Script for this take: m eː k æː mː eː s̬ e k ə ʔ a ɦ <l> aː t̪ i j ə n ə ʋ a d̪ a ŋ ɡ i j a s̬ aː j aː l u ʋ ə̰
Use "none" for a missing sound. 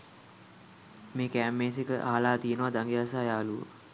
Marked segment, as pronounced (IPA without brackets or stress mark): l